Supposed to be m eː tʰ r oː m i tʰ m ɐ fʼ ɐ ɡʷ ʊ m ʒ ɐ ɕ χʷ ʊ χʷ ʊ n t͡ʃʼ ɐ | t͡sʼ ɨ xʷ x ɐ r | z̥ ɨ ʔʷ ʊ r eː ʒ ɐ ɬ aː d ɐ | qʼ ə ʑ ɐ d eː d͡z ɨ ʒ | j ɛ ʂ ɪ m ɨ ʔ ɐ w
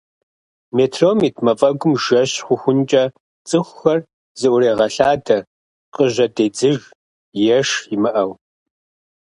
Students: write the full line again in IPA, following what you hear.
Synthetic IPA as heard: m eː tʰ r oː m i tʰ m ɐ fʼ ɐ ɡʷ ʊ m ʒ ɐ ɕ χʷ ʊ xʷ ʊ n t͡ʃʼ ɐ | t͡sʼ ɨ xʷ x ɐ r | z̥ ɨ ʔʷ ʊ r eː ʁ ɐ ɬ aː d ɐ | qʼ ə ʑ ɐ d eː d͡z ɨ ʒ | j ɛ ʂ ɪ m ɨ ʔ ɐ w